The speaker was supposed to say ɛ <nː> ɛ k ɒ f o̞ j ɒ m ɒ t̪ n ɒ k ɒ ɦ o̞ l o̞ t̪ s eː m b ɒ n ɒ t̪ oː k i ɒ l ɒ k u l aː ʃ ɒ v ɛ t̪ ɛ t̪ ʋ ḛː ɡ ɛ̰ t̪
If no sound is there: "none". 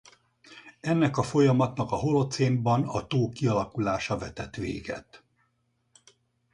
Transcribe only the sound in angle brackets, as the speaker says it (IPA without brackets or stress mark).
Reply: nː